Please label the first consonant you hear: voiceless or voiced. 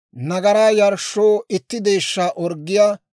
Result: voiced